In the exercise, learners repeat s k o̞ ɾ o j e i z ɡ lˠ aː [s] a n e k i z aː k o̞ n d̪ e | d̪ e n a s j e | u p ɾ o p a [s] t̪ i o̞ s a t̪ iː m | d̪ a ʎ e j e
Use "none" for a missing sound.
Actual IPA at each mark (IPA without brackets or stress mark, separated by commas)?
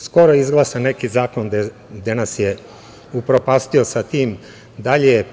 s, s